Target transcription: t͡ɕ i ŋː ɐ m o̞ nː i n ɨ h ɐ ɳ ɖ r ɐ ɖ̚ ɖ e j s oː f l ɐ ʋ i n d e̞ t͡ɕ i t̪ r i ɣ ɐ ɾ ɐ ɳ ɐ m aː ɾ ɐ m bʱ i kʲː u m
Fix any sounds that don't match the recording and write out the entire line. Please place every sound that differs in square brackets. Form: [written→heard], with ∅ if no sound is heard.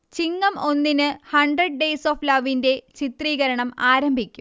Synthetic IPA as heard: t͡ɕ i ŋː ɐ m o̞ nː i n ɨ h ɐ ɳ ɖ r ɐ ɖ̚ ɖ e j s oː f l ɐ ʋ i n d e̞ t͡ɕ i t̪ r [i→iː] ɣ ɐ ɾ ɐ ɳ ɐ m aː ɾ ɐ m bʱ i kʲː u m